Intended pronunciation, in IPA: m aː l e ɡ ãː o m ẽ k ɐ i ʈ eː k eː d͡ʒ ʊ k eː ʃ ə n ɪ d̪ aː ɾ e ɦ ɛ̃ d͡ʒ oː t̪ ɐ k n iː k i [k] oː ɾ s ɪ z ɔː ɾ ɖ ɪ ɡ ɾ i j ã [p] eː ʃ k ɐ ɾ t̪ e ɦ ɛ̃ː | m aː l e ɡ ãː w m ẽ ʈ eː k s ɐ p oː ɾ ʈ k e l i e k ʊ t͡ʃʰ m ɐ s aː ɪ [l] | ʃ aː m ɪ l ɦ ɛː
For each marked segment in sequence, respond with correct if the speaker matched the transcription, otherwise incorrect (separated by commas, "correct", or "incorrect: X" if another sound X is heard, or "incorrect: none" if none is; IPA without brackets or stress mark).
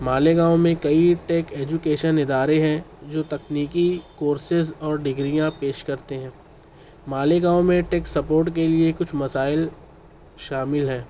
correct, correct, correct